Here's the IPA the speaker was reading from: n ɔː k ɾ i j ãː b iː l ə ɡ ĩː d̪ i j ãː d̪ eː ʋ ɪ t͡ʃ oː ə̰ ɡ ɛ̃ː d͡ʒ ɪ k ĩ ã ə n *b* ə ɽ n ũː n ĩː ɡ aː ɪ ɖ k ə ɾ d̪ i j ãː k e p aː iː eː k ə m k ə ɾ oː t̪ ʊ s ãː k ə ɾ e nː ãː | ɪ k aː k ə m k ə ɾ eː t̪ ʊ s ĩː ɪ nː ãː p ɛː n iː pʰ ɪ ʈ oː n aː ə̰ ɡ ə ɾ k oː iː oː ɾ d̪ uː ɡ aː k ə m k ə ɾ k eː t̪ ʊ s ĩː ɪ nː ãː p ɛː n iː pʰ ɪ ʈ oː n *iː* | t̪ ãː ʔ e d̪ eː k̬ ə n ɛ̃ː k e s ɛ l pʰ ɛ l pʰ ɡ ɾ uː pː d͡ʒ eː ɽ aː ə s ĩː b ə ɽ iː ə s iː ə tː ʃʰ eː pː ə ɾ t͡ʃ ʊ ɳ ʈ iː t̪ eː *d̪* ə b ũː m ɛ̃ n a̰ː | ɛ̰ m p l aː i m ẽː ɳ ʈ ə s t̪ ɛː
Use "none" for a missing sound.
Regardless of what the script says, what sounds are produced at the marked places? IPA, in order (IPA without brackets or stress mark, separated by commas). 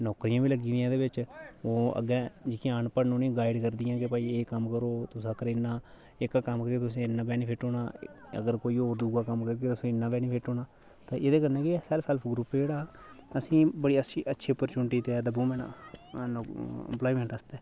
p, aː, d̪